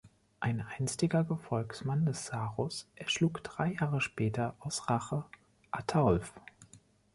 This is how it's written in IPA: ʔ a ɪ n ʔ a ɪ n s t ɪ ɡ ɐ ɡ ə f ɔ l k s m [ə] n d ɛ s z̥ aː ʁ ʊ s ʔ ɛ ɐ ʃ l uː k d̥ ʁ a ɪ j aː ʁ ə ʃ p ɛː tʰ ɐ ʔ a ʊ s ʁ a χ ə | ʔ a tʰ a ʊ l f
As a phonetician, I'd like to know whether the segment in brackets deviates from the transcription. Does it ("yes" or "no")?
yes